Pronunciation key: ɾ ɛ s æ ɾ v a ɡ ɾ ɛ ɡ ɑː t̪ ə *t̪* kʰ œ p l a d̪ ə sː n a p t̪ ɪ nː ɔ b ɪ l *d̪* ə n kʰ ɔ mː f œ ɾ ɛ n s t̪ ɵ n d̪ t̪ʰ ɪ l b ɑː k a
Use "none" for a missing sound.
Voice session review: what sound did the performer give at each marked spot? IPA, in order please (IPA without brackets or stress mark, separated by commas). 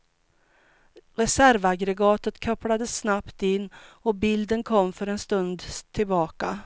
t̪, d̪